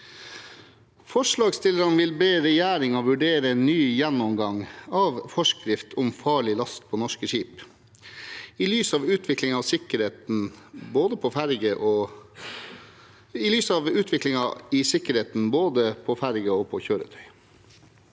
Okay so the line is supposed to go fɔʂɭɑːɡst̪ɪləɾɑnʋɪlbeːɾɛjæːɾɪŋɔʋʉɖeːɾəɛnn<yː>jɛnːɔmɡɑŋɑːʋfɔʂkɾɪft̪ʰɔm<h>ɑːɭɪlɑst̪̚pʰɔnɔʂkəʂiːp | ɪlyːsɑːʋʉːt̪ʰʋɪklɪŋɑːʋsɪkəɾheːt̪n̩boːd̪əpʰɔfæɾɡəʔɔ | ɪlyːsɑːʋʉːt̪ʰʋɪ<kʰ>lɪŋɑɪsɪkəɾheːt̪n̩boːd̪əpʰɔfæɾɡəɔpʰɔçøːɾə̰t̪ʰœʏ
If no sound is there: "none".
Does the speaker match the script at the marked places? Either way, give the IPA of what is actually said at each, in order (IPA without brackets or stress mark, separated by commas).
yː, f, k